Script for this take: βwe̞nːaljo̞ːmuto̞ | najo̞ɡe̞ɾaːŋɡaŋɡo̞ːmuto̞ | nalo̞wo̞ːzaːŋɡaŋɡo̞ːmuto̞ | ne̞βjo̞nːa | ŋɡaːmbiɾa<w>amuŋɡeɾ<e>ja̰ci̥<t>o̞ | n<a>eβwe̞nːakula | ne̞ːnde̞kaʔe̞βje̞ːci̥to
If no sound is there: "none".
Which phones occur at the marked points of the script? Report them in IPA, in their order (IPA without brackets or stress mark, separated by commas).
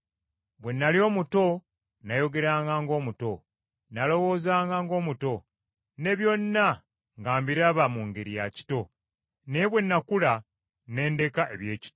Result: β, i, t, e